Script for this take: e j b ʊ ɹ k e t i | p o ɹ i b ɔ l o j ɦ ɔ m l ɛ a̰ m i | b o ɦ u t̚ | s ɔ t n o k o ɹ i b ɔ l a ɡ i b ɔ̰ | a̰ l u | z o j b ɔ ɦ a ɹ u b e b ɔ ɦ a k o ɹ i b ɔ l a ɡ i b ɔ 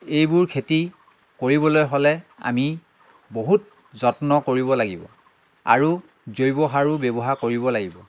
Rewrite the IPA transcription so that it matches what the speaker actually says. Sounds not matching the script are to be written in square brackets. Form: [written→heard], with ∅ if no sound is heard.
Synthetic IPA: e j b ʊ ɹ [k→kʰ] e t i | [p→k] o ɹ i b ɔ l o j ɦ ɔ [m→∅] l ɛ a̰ m i | b o ɦ u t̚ | [s→z] ɔ t n [o→ɔ] k o ɹ i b ɔ l a ɡ i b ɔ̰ | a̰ [l→ɹ] u | z o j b ɔ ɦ a ɹ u b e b ɔ ɦ a k o ɹ i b ɔ l a ɡ i b ɔ